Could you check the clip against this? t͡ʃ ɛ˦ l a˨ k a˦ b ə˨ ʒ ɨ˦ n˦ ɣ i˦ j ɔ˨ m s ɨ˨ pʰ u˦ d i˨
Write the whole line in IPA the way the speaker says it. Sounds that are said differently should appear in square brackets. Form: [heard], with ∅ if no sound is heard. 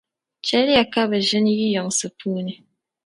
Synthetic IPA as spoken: t͡ʃ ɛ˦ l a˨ k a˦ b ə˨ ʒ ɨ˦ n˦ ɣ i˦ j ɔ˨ [ŋ] s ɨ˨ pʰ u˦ [n] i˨